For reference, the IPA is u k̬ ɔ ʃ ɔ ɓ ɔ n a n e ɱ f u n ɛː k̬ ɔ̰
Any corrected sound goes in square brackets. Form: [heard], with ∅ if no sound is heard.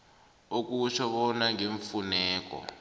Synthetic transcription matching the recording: [o] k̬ [u] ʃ ɔ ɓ ɔ n a [ŋ] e ɱ f u n ɛː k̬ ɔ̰

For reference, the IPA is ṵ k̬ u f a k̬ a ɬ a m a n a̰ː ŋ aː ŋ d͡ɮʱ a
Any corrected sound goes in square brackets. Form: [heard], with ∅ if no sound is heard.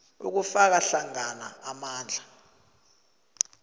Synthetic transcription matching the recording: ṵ k̬ u f a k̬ a ɬ a [ŋ] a n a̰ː [m] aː [n] d͡ɮʱ a

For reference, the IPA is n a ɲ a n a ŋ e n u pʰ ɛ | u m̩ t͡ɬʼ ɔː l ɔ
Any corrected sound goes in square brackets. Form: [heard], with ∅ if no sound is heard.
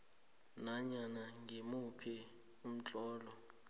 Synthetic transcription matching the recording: n a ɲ a n a ŋ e [m] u pʰ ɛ | u m̩ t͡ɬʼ ɔː l ɔ

